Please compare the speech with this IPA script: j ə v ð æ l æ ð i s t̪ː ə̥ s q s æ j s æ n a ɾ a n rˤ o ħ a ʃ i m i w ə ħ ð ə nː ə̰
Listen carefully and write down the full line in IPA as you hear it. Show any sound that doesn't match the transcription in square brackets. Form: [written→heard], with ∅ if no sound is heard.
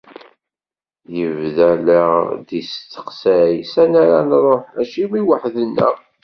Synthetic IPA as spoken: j ə v ð æ l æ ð i s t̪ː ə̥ [s→∅] q s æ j s æ n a ɾ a n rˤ o ħ [a→æ] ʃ i m i w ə ħ ð ə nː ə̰

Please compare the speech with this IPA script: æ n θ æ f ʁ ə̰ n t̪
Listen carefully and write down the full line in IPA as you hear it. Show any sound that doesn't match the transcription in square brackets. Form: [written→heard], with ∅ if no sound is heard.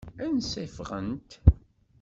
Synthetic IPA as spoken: æ n [θ→s] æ f ʁ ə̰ n t̪

